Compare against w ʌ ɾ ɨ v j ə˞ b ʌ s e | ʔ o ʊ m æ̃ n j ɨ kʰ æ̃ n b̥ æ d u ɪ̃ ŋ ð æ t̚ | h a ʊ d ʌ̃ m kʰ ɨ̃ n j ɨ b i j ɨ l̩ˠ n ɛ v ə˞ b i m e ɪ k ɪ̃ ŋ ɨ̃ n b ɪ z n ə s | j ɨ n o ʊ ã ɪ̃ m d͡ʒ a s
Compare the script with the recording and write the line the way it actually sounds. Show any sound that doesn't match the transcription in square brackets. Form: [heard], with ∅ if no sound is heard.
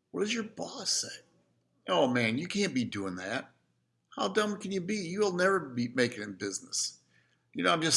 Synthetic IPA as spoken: w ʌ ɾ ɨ [z] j ə˞ b [ɔ] s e | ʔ o ʊ m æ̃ n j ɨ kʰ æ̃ n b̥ [i] d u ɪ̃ ŋ ð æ t̚ | h a ʊ d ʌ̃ m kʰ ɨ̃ n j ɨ b i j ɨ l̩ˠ n ɛ v ə˞ b i m e ɪ k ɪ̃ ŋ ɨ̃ n b ɪ z n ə s | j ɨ n o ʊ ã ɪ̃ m d͡ʒ [ʌ] s